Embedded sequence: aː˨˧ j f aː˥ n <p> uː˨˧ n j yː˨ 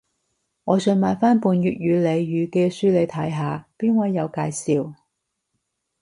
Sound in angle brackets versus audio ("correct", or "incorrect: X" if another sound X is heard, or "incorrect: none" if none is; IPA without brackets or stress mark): correct